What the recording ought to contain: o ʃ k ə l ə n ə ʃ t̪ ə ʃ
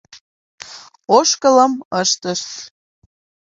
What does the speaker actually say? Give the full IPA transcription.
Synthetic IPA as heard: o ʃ k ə l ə m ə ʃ t̪ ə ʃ